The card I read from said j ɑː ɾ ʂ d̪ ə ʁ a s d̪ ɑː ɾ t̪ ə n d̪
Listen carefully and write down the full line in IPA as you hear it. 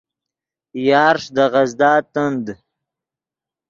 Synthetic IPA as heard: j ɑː ɾ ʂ d̪ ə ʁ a z d̪ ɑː t̪ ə n d̪